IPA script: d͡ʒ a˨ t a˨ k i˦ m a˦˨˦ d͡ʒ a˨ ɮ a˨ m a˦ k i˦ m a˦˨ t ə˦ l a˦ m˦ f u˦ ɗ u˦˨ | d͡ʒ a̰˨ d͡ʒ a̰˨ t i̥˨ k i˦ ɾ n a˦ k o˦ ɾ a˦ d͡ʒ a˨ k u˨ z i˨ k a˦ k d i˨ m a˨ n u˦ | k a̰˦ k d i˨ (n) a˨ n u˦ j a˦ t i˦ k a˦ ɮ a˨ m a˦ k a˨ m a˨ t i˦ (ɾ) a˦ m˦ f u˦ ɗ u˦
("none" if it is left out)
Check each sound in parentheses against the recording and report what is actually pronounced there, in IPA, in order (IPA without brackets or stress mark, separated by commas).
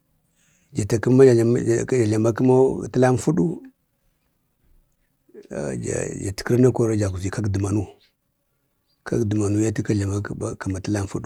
m, l